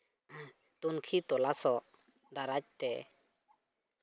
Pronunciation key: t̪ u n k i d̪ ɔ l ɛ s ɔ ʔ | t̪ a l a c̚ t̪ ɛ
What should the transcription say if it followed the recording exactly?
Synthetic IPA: t̪ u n kʰ i t̪ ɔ l a s ɔ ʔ | d̪ a ɾ a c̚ t̪ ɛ

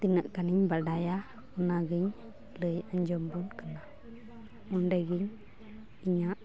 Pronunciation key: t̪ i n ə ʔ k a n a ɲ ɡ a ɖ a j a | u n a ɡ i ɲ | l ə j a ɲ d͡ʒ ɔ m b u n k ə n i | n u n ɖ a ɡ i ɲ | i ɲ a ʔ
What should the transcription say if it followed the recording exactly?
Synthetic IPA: t̪ i n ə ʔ k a n i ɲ b a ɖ a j a | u n a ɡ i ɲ | l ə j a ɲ d͡ʒ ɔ m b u n k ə n a | m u n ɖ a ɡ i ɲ | i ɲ a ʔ

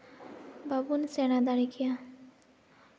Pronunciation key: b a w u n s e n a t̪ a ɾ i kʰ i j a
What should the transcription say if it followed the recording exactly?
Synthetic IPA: b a b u n s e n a d̪ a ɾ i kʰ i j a

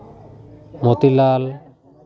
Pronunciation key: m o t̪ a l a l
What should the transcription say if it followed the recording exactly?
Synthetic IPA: m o t̪ i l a l

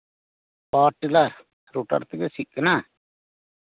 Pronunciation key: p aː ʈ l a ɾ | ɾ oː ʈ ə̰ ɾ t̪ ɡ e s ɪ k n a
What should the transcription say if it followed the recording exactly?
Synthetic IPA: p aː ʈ l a ɾ | ɾ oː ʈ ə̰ ɾ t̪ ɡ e s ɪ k n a

